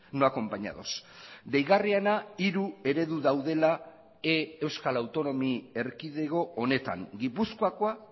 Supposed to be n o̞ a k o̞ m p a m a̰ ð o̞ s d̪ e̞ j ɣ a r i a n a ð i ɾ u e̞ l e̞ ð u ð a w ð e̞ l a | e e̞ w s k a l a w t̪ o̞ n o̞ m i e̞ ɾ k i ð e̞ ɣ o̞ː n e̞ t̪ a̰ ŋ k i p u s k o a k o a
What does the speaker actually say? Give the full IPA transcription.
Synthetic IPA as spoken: n o̞ a k o̞ m p a ɲ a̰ ð o̞ s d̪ e̞ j ɣ a r i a n a i ɾ u e̞ ɾ e̞ ð u ð a w ð e̞ l a | e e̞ w s k a l a w t̪ o̞ n o̞ m i e̞ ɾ k i ð e̞ ɣ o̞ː n e̞ t̪ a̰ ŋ ɡ i p u s k o a k o a